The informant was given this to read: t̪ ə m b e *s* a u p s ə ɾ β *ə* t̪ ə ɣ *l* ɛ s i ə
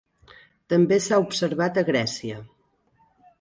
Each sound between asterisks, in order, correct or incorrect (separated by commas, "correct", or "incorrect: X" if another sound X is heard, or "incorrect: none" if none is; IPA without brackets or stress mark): correct, incorrect: a, incorrect: ɾ